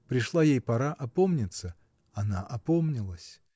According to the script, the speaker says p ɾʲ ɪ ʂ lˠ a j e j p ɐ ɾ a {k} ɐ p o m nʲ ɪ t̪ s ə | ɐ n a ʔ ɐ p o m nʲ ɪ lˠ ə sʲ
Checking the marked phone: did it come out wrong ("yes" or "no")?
yes